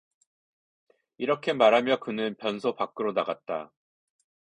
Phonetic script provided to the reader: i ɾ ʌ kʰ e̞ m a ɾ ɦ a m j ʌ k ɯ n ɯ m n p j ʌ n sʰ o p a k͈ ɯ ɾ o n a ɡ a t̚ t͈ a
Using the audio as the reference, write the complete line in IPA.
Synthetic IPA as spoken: i ɾ ʌ kʰ e̞ m a ɾ ɦ a m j ʌ k ɯ n ɯ n p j ʌ n sʰ o p a k͈ ɯ ɾ o n a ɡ a t̚ t͈ a

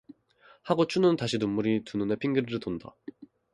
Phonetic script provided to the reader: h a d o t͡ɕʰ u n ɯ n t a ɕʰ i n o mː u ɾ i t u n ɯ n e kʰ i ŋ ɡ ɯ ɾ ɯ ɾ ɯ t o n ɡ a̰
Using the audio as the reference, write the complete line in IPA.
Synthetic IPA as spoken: h a ɡ o t͡ɕʰ u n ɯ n t a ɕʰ i n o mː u ɾ i t u n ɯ n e pʰ i ŋ ɡ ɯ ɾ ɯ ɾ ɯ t o n d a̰

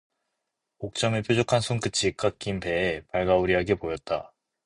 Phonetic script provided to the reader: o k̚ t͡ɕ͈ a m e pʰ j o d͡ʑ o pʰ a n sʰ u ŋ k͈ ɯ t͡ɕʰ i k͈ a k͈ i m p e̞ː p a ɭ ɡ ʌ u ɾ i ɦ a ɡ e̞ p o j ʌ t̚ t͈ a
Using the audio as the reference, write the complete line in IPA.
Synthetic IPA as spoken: o k̚ t͡ɕ͈ ʌ m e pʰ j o d͡ʑ o kʰ a n sʰ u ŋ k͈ ɯ t͡ɕʰ i k͈ a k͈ i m p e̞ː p a ɭ ɡ a u ɾ i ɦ a ɡ e̞ p o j ʌ t̚ t͈ a

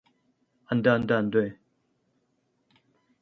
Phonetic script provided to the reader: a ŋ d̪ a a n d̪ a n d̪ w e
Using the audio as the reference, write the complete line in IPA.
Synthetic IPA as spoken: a n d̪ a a n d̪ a n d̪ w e

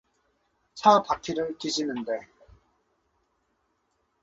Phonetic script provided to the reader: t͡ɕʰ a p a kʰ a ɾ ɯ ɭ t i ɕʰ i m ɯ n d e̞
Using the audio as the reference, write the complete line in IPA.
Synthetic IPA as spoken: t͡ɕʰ a p a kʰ i ɾ ɯ ɭ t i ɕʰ i n ɯ n d e̞

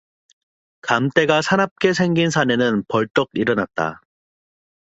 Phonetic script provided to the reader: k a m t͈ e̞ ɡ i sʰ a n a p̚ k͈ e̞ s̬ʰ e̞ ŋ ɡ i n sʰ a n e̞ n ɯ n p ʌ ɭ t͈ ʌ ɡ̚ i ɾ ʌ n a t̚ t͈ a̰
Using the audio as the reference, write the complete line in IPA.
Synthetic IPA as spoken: k a m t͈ e̞ ɡ a sʰ a n a p̚ k͈ e̞ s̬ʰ e̞ ŋ ɡ i n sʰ a n e̞ n ɯ n p ʌ ɭ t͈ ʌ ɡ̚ i ɾ ʌ n a t̚ t͈ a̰

